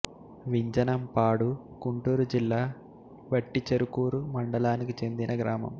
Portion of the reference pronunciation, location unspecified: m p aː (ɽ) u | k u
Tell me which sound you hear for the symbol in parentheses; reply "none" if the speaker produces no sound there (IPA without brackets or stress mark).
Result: ɽ